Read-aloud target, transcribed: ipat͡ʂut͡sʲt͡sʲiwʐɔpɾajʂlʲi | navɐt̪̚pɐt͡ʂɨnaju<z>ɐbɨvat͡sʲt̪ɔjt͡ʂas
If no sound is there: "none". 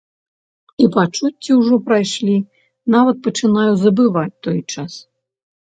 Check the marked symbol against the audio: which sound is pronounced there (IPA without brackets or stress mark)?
z